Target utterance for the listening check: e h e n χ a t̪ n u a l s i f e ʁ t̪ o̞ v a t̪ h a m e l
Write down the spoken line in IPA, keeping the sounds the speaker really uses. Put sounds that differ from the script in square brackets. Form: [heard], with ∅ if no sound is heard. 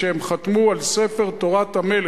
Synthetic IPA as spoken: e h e [m] χ a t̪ [m] u a l s [e] f e ʁ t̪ o̞ [ʁ] a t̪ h a m e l